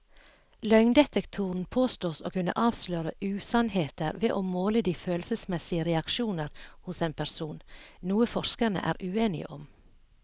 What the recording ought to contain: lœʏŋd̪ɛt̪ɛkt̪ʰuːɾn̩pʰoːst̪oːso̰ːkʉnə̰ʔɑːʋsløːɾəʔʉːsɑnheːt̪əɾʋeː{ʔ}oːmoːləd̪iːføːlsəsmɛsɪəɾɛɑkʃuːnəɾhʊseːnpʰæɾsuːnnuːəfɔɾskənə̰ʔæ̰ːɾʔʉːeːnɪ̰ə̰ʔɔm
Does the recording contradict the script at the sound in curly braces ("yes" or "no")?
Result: no